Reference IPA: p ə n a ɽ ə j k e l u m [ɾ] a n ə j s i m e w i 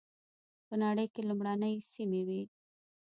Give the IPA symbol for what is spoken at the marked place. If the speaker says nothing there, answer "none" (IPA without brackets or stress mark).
ɽ